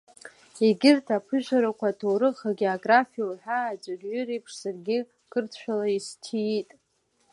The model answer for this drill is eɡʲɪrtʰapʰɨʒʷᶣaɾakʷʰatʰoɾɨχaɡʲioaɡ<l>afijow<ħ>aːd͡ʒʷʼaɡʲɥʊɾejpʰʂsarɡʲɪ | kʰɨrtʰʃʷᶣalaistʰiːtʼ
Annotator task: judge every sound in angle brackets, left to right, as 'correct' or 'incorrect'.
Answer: incorrect, correct

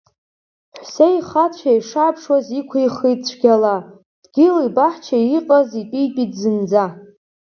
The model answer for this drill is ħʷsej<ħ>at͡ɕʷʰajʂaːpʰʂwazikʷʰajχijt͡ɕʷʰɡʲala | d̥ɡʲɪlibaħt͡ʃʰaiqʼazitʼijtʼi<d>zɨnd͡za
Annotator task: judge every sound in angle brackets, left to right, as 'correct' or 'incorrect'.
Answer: incorrect, correct

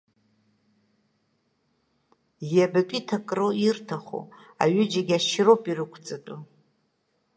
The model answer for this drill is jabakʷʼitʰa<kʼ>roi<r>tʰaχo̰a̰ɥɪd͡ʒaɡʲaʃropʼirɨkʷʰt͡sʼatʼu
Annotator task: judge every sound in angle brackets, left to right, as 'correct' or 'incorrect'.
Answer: correct, correct

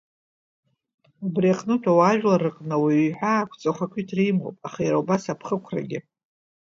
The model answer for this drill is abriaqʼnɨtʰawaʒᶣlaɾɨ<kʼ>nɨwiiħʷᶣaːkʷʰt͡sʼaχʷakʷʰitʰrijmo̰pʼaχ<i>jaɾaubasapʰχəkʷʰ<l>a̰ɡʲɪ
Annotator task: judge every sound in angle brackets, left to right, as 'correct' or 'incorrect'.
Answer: incorrect, incorrect, incorrect

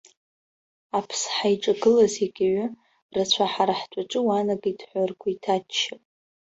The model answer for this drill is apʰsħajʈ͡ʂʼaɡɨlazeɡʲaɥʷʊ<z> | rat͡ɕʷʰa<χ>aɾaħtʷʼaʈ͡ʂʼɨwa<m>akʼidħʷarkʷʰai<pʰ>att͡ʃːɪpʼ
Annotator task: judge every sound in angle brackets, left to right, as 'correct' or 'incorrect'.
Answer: incorrect, incorrect, incorrect, incorrect

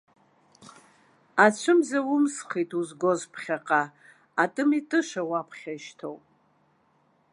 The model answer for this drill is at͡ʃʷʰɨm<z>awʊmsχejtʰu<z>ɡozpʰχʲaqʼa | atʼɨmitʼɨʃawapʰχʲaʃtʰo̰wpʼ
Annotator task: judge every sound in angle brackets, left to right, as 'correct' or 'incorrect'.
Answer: correct, correct

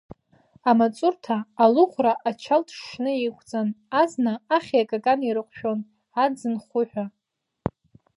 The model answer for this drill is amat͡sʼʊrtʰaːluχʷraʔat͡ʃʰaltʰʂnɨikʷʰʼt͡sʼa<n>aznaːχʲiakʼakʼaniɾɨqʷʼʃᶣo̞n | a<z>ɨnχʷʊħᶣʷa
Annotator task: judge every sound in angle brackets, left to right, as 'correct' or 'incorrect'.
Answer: correct, incorrect

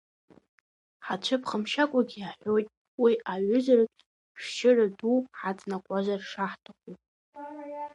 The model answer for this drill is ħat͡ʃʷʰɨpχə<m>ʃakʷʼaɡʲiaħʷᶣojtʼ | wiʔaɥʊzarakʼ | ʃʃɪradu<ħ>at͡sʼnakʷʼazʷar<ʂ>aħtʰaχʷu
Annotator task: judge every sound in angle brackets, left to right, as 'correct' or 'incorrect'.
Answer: correct, correct, correct

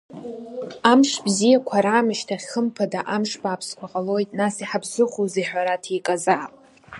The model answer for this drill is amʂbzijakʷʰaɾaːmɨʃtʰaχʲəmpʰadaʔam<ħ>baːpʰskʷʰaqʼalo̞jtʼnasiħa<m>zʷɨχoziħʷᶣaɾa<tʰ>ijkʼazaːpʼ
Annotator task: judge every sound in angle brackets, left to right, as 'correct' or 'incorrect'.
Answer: incorrect, incorrect, correct

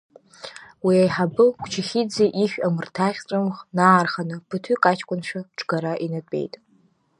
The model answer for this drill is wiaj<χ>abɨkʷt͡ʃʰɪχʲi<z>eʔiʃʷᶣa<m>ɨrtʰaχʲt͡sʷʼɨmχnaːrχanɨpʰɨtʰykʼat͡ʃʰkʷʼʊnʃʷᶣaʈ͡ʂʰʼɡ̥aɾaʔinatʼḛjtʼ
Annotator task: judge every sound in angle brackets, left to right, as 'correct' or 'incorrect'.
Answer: incorrect, incorrect, correct

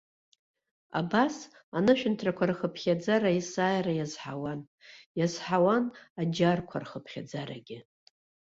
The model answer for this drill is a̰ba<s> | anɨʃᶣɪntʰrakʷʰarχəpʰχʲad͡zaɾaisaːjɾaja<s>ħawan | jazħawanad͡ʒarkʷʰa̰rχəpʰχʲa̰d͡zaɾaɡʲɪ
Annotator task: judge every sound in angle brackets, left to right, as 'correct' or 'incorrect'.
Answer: correct, incorrect

